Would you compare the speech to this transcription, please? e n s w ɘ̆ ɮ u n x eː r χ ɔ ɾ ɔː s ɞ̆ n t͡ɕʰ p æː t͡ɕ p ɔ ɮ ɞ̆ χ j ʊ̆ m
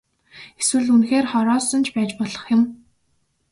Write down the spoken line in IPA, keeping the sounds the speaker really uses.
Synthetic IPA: e s w ɘ̆ ɮ u n x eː r χ ɔ ɾ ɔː s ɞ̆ n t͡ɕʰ p æː t͡ɕ p ɔ ɮ ɞ̆ χ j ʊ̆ m